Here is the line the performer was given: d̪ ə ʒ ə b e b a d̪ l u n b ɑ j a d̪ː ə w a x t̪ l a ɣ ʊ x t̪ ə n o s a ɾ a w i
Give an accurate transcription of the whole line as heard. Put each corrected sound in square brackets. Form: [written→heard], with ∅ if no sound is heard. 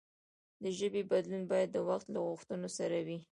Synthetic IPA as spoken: d̪ ə ʒ ə b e b a d̪ l u n b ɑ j a d̪ː ə w a x t̪ l a ɣ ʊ x t̪ ə n o s a ɾ a w i

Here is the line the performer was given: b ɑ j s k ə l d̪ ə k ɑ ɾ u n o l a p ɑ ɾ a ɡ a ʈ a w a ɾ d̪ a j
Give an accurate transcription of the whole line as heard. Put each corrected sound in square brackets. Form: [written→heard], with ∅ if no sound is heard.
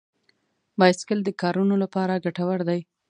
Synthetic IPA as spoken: b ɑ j s k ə l d̪ ə k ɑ ɾ u n o l a p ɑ ɾ a ɡ a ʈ a w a ɾ d̪ a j

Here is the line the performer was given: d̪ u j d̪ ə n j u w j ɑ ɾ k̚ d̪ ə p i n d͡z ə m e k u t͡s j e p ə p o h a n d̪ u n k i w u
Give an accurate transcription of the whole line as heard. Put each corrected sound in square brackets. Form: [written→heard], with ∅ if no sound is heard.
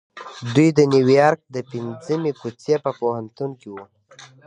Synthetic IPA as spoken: d̪ u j d̪ ə n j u w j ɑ ɾ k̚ d̪ ə p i n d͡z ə m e k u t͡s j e p ə p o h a n [d̪→t̪] u n k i w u

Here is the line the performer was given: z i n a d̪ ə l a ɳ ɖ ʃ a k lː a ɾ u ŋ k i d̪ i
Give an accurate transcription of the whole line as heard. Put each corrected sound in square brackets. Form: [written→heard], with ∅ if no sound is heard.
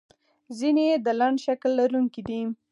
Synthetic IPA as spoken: z i n [a→e] d̪ ə l a ɳ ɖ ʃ a k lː a ɾ u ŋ k i d̪ i

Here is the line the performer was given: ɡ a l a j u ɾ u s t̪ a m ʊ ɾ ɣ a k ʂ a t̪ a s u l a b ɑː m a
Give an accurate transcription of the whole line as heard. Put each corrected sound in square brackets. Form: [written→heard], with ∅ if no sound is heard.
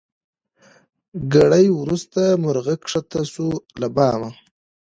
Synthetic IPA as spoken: ɡ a [l→ɽ] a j [u→w] ɾ u s t̪ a m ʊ ɾ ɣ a k ʂ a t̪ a s u l a b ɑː m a

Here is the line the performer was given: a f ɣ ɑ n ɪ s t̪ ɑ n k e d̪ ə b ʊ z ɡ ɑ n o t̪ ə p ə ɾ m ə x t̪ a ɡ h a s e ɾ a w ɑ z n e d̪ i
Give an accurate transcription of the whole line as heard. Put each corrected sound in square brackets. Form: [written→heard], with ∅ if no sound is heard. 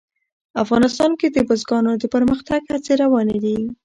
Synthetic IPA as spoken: a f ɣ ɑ n ɪ s t̪ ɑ n k e d̪ ə b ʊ z ɡ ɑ n o [t̪→d̪] ə p ə ɾ m ə x t̪ a ɡ h a [s→t͡s] e ɾ a w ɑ [z→∅] n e d̪ i

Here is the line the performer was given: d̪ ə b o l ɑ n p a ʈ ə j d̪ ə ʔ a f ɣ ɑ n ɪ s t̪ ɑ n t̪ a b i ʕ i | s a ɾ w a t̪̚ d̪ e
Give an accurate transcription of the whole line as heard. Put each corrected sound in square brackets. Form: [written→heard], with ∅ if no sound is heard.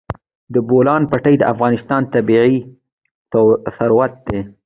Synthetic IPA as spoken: d̪ ə b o l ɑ n p a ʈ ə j d̪ ə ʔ a f ɣ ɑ n ɪ s t̪ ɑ n t̪ a b i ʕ i | s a ɾ w a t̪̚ d̪ e

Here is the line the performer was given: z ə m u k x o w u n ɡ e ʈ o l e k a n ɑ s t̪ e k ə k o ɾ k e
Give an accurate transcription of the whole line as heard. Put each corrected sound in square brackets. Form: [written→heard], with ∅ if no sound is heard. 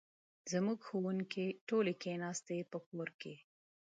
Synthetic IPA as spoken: z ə m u [k→ɡ] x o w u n [ɡ→k] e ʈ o l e k [a→e] n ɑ s t̪ e [k→p] ə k o ɾ k e

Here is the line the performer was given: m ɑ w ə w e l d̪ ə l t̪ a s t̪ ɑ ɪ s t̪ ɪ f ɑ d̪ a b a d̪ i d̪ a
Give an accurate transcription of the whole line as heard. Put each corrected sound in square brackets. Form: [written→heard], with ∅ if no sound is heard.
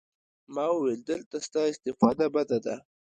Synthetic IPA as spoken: m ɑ w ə w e l d̪ ə l t̪ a s t̪ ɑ ɪ s t̪ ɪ f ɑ d̪ a b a d̪ [i→a] d̪ a

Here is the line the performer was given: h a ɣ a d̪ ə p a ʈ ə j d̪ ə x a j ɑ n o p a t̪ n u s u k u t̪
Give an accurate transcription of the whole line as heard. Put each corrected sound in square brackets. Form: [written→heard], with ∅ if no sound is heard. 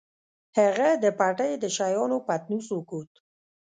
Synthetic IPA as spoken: h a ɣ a d̪ ə p a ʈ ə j d̪ ə [x→ʃ] a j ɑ n o p a t̪ n u s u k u t̪

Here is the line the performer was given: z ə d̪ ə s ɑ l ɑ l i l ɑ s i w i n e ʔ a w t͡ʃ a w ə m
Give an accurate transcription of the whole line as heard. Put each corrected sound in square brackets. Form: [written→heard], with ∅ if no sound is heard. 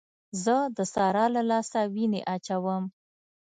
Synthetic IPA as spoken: z ə d̪ ə s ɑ [l→ɾ] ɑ l [i→a] l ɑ s [i→a] w i n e ʔ a [w→∅] t͡ʃ a w ə m

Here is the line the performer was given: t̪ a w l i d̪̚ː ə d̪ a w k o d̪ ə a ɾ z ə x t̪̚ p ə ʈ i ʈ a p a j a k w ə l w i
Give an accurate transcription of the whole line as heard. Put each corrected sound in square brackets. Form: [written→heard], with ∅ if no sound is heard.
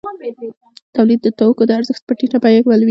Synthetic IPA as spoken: t̪ a w l i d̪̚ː ə [d̪→t̪] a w k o d̪ ə a ɾ z ə x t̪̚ p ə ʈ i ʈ a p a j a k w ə l w i

